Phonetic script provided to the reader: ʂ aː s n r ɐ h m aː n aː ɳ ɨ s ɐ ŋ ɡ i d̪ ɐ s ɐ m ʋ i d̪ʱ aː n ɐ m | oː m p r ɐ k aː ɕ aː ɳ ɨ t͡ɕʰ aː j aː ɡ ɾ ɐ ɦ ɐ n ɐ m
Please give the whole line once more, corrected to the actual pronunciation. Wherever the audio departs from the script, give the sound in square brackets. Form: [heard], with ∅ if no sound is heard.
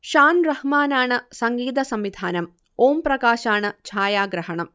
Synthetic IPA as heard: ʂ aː [∅] n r ɐ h m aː n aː ɳ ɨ s ɐ ŋ ɡ [iː] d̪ ɐ s ɐ m ʋ i d̪ʱ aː n ɐ m | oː m p r ɐ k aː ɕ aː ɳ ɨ t͡ɕʰ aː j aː ɡ ɾ ɐ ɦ ɐ [ɳ] ɐ m